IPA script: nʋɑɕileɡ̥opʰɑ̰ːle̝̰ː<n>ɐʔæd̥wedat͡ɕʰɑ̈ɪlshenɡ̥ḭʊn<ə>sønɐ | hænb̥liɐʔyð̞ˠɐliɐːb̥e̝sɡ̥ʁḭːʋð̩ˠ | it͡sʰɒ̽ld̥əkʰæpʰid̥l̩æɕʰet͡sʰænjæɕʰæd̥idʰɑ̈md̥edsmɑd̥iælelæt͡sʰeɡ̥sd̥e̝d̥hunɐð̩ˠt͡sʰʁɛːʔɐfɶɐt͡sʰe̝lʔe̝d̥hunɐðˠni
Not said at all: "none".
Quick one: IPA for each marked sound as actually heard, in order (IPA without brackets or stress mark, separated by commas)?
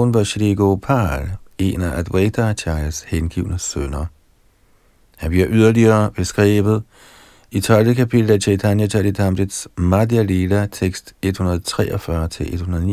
n, ə